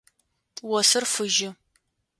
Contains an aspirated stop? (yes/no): no